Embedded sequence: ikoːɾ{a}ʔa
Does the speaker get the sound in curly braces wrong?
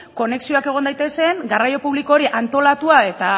yes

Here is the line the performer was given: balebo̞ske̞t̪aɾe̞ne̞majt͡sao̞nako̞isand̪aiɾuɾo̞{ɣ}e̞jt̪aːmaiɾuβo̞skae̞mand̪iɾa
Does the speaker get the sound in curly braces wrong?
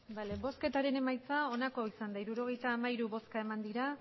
no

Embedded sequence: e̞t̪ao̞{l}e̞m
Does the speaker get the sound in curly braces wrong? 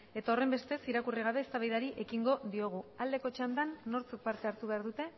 yes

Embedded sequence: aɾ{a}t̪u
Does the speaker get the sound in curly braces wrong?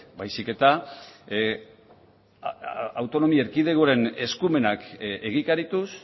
yes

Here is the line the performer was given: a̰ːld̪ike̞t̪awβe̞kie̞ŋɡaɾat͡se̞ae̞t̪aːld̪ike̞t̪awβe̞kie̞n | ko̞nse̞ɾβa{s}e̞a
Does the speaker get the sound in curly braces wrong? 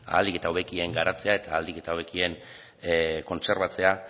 yes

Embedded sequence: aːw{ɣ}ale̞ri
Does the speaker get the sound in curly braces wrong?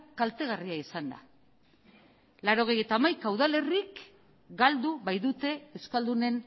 yes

